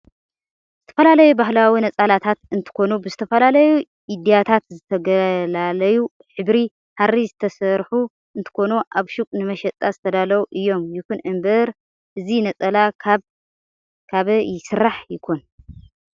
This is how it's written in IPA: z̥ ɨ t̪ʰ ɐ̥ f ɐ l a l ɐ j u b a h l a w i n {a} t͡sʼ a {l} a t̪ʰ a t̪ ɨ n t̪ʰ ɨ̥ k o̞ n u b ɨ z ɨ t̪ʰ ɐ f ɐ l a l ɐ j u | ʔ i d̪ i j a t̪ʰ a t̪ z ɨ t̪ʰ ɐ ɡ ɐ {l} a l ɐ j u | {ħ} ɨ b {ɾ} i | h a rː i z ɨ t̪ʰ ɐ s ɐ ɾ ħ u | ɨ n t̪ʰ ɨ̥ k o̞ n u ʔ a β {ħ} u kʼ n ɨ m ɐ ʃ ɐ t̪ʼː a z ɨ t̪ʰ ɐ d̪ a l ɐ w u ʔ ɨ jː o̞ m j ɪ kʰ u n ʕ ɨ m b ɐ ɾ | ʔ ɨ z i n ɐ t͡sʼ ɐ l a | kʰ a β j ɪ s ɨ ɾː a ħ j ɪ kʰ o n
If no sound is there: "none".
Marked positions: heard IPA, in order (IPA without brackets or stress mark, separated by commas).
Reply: ɐ, l, l, ħ, ɾ, ʃ